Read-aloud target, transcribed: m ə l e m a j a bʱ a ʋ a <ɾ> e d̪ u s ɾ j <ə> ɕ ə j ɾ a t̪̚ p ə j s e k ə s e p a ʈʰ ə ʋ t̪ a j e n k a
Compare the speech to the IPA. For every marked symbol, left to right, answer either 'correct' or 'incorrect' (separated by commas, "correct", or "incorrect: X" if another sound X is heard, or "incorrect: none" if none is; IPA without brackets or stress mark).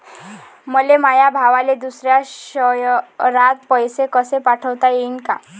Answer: incorrect: l, incorrect: a